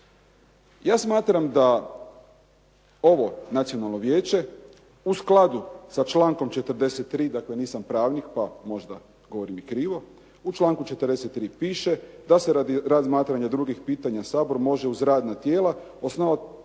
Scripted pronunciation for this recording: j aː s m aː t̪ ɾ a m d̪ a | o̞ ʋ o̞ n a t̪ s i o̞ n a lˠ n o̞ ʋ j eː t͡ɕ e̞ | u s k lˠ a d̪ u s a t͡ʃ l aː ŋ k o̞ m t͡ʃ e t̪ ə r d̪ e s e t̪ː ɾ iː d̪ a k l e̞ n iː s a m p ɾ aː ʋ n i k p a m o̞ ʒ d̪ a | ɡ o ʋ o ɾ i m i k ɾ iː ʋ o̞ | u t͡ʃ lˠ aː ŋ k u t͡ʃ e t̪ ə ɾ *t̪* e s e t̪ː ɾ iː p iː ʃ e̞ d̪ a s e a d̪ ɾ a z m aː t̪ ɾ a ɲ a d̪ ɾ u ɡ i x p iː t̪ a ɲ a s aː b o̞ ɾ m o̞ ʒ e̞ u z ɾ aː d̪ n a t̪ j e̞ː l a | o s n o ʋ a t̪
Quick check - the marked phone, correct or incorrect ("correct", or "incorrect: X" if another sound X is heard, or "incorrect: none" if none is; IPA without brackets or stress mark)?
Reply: incorrect: d̪